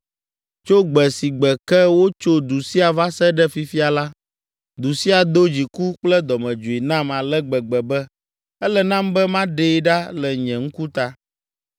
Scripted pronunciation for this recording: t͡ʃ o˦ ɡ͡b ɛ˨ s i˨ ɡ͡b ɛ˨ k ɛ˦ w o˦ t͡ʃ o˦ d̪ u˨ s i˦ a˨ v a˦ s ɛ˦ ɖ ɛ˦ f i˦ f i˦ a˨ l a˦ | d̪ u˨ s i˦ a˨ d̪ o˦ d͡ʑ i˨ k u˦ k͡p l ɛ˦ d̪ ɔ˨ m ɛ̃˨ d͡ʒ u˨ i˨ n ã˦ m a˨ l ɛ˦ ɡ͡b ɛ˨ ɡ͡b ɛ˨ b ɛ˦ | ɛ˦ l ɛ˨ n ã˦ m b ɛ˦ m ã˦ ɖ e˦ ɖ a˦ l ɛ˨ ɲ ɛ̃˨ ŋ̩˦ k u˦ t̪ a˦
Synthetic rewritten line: t͡ʃ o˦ ɡ͡b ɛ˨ s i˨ ɡ͡b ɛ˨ k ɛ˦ w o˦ t͡ʃ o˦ d̪ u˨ s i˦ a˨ v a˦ s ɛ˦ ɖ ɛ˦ f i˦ f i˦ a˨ l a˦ | d̪ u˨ s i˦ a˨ d̪ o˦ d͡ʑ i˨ k u˦ k͡p l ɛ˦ d̪ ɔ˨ m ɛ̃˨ d͡ʒ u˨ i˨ n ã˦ m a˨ l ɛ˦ ɡ͡b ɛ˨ ɡ͡b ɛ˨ b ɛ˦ | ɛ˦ l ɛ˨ n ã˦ m b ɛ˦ m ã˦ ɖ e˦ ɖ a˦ l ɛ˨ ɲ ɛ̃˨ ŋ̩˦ k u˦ t̪ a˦